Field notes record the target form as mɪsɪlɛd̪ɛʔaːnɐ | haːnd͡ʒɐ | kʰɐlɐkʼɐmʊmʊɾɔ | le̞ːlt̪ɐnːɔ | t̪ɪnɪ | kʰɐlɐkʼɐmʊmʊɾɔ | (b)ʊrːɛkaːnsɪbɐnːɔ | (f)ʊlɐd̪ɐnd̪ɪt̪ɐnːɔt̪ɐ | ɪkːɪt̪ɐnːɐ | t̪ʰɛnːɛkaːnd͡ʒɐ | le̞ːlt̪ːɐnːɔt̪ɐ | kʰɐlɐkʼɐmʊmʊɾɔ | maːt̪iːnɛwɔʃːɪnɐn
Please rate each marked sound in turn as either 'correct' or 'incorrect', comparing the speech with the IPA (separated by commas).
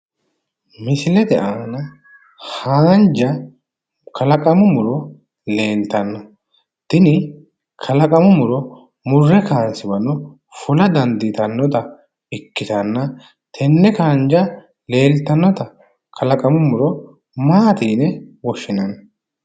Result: incorrect, correct